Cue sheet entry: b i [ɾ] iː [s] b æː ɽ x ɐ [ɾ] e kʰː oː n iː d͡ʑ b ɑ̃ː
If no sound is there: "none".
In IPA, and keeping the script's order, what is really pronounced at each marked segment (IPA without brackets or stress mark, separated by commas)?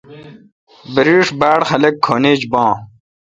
ɾ, ʂ, l